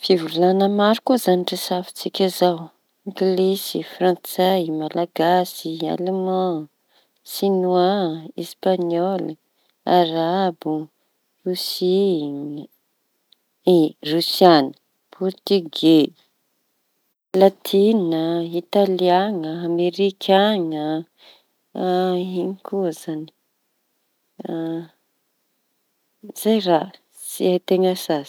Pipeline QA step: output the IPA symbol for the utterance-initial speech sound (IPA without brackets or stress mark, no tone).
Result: f